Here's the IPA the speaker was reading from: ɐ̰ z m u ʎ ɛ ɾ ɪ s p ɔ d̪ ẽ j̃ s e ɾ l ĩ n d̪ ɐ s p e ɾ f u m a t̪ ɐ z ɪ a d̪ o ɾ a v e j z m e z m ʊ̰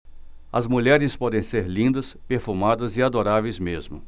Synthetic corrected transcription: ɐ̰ z m u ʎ ɛ ɾ ɪ s p ɔ d̪ ẽ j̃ s e ɾ l ĩ n d̪ ɐ s p e ɾ f u m a d̪ ɐ z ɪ a d̪ o ɾ a v e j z m e z m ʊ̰